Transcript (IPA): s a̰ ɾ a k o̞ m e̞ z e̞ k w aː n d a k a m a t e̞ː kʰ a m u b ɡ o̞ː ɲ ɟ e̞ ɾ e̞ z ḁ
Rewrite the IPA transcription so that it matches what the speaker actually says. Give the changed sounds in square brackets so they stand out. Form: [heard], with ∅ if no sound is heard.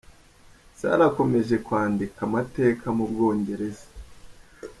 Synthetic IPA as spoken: s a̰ ɾ a k o̞ m e̞ [ʒ] e̞ k w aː n d [i] k a m a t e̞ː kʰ a m u b ɡ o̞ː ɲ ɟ e̞ ɾ e̞ z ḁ